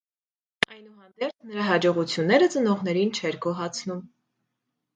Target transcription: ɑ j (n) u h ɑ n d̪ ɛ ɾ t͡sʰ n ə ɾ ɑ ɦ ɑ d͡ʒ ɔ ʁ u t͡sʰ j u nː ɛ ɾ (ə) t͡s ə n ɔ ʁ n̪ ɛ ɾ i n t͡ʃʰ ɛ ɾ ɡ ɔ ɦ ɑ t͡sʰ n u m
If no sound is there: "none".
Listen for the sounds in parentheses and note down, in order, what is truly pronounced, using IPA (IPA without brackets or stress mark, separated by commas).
n, ə